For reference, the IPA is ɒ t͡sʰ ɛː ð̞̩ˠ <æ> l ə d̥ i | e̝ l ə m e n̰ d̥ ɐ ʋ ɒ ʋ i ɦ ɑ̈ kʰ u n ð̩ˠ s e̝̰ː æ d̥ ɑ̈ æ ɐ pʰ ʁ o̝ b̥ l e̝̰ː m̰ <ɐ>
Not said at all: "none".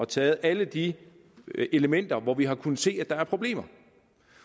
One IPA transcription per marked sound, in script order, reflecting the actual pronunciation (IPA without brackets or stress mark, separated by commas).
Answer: æ, ɐ